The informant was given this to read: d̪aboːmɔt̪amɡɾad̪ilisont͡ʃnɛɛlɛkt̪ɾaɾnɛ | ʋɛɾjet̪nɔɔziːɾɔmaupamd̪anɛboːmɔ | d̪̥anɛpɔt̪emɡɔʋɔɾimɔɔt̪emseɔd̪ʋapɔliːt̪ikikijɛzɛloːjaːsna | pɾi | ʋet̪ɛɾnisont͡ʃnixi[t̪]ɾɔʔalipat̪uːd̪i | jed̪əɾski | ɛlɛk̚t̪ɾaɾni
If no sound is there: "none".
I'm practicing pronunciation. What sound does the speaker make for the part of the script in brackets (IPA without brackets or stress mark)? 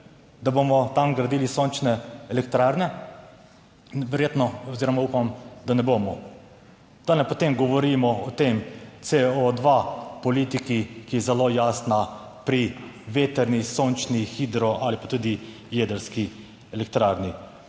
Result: d̪